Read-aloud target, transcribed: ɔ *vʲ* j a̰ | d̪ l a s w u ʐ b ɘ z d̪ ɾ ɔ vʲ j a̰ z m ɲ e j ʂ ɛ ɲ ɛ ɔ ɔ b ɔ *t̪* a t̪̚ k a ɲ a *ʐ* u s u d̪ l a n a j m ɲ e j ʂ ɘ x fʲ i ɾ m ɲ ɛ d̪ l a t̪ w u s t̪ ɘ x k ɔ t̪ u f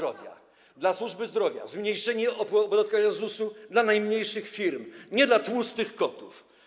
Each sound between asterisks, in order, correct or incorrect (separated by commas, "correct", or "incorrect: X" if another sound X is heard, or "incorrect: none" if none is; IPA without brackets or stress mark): correct, incorrect: d̪, incorrect: z